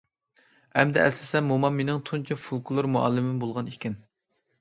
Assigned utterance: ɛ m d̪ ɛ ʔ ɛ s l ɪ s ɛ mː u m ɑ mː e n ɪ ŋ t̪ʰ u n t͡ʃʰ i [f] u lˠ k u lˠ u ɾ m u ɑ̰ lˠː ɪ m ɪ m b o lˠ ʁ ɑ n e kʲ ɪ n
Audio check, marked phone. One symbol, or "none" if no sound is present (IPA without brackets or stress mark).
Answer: f